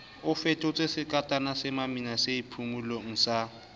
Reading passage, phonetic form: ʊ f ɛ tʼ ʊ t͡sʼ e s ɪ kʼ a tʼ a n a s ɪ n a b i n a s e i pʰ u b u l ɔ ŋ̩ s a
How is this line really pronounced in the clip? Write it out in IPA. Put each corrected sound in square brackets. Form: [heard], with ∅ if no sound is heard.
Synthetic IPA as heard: ʊ f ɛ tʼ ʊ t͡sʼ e s ɪ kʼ a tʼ a n a s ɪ [m] a [m] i n a s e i pʰ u [m] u l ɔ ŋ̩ s a